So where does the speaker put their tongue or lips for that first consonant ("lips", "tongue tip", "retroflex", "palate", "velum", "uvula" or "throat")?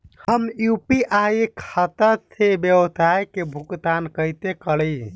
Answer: throat